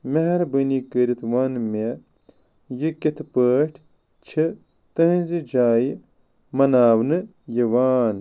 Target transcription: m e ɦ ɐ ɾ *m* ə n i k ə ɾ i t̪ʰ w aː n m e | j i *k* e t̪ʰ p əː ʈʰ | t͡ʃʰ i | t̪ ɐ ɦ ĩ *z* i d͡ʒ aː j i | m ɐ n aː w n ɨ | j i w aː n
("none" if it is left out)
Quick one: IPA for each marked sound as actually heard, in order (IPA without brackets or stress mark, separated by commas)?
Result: b, k, z